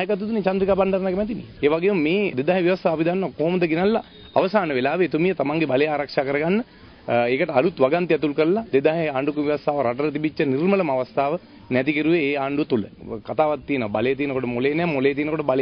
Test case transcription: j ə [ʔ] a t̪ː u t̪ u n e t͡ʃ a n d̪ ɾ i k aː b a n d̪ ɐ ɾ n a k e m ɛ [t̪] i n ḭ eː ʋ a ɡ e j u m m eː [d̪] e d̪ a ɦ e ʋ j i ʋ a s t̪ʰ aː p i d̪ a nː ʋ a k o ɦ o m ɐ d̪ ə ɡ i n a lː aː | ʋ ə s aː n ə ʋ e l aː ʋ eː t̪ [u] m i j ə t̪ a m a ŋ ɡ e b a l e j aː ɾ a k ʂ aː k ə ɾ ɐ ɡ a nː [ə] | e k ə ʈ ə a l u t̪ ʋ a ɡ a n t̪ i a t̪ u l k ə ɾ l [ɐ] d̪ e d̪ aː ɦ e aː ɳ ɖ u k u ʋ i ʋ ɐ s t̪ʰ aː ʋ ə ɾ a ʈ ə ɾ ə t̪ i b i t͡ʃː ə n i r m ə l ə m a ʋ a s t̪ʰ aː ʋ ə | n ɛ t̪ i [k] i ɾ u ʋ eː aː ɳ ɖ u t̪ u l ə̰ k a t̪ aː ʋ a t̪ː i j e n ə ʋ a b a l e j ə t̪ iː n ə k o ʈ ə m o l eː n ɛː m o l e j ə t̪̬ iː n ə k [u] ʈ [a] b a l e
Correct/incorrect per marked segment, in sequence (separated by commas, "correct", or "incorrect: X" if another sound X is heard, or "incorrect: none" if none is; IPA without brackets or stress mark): incorrect: k, correct, correct, correct, correct, incorrect: a, correct, incorrect: o, incorrect: ə